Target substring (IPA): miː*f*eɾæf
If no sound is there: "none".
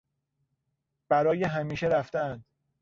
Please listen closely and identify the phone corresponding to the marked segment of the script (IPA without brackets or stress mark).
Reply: ʃ